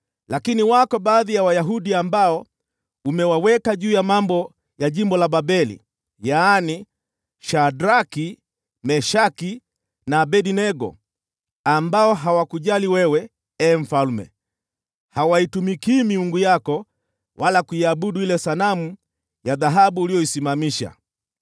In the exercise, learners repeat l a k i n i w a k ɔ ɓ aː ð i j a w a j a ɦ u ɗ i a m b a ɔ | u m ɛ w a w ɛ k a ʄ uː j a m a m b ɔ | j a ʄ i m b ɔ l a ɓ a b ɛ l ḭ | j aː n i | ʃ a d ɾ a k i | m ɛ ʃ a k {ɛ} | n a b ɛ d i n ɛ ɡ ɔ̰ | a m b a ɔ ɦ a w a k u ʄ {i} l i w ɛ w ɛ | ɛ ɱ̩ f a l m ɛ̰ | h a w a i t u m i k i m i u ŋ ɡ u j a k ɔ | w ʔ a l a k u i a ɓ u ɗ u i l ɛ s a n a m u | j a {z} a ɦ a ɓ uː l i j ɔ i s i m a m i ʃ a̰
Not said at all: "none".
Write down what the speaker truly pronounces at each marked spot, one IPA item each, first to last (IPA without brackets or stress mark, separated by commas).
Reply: i, a, ð